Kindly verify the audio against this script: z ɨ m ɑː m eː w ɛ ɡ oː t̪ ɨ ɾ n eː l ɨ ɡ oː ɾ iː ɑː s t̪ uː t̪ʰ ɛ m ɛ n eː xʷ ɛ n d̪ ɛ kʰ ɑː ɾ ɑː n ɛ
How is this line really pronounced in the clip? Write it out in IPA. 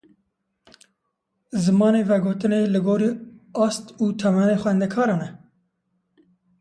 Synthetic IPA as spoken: z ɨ m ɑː n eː v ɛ ɡ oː t̪ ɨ n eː l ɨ ɡ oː ɾ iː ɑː s t̪ uː t̪ʰ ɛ m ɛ n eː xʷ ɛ n d̪ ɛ kʰ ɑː ɾ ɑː n ɛ